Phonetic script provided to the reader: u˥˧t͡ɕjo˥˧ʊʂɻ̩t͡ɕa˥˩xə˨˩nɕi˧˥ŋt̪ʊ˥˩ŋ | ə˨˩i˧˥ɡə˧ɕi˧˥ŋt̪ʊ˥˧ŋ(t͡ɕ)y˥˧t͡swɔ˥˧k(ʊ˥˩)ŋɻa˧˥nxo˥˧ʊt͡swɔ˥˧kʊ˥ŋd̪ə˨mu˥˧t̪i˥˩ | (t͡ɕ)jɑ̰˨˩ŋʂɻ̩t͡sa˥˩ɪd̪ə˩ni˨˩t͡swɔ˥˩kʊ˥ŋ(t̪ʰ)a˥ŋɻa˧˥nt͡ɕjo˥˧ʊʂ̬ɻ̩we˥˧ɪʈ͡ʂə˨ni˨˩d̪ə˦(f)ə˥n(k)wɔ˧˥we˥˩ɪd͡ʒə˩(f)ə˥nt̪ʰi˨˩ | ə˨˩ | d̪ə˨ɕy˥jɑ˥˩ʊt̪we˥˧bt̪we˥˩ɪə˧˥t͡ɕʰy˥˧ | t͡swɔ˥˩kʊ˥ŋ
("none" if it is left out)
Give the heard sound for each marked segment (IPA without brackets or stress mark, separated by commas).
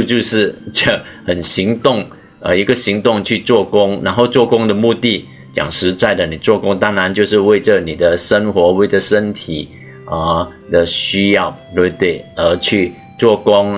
t͡ɕʰ, ʊ˥, t͡ɕ, t̪, ʂ, x, ʂ